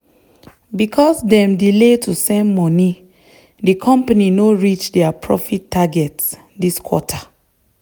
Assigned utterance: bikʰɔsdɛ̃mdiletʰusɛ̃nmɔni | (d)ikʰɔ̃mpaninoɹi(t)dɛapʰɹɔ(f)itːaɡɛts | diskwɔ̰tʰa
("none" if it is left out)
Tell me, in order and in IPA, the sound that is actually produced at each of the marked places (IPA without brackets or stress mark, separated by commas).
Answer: d, t͡ʃ, f